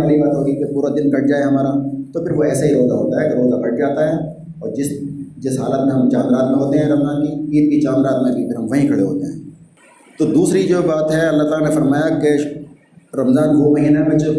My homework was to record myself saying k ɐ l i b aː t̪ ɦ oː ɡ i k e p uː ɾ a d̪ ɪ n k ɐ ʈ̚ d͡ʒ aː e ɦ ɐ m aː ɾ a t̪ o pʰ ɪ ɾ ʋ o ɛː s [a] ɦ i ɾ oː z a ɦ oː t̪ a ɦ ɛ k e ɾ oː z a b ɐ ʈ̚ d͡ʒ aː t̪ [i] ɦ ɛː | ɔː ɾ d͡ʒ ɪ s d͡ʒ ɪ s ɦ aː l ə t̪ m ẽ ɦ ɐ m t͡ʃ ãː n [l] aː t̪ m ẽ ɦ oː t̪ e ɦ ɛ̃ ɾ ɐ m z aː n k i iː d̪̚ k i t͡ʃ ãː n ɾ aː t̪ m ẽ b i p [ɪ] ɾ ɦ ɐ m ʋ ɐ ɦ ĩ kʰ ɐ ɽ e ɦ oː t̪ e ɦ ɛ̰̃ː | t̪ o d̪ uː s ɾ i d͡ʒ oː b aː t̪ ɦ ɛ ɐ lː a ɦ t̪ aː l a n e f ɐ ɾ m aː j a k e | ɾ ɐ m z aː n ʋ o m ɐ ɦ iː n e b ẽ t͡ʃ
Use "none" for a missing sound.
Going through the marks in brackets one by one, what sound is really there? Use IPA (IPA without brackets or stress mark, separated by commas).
a, a, ɾ, ɪ